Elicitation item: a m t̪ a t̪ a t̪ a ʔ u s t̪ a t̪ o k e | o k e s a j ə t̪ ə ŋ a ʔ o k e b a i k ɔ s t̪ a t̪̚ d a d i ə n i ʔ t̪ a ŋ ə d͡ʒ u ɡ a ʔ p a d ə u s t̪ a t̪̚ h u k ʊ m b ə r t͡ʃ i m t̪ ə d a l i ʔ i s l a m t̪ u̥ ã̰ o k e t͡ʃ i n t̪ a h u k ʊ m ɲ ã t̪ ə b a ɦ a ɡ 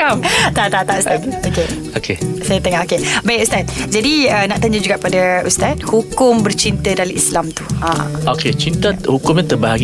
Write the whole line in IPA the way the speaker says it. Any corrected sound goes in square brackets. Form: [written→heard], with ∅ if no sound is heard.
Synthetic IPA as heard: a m t̪ a t̪ a t̪ a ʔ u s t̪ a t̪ o k e | o k e s a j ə t̪ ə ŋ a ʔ o k e b a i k [ɔ→u] s t̪ a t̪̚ [d→d͡ʒ] a d i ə n [i→a] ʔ t̪ a [ŋ→ɲ] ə d͡ʒ u ɡ a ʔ p a d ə u s t̪ a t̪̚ h u k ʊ m b ə r t͡ʃ i [m→n] t̪ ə d a l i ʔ i s l a m t̪ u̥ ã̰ o k e t͡ʃ i n t̪ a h u k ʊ m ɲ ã t̪ ə b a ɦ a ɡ